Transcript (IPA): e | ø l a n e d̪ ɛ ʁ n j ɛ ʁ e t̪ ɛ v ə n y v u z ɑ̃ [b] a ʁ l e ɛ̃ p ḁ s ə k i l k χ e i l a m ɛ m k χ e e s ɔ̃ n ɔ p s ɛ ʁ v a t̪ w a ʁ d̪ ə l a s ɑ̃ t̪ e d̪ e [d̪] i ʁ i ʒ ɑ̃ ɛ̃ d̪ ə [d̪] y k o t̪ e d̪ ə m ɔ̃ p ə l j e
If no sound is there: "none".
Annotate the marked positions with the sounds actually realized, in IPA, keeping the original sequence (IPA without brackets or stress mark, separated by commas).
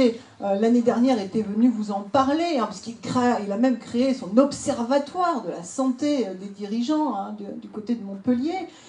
p, d̪, d̪